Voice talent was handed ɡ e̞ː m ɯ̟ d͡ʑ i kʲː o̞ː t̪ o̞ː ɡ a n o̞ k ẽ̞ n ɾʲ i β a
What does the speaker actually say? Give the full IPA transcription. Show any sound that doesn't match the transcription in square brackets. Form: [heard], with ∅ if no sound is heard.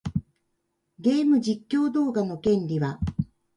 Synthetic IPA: ɡ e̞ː m ɯ̟ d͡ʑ i kʲː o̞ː [d̪] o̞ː ɡ a n o̞ k ẽ̞ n ɾʲ i β a